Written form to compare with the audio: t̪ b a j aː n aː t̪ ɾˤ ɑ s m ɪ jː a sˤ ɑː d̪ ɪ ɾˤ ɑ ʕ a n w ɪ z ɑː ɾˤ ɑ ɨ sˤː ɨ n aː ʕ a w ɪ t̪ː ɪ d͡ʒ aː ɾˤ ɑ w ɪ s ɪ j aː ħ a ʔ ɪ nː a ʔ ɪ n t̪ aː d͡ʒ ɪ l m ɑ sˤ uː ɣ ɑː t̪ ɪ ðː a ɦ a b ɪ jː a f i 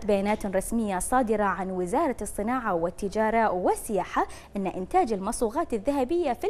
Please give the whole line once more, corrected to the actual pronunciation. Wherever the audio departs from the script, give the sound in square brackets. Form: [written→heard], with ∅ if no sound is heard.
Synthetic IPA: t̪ b a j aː n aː t̪ ɾˤ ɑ s m ɪ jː a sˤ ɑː d̪ ɪ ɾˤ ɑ ʕ a n w ɪ z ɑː ɾˤ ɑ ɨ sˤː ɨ n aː ʕ a w ɪ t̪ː ɪ d͡ʒ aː ɾˤ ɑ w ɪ s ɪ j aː ħ a ʔ ɪ nː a ʔ ɪ n t̪ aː d͡ʒ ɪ l m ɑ sˤ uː ɣ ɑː t̪ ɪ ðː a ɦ a b ɪ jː a f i